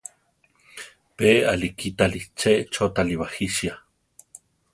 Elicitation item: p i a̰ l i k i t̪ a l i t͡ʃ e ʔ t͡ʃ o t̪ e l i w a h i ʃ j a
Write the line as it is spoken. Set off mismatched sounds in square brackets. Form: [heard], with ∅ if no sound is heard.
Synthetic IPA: p [e] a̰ l i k i t̪ a l i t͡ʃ e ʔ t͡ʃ o t̪ [a] l i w a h i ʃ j a